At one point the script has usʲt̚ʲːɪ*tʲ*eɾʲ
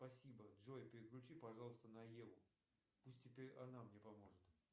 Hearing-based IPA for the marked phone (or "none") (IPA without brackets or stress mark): pʲ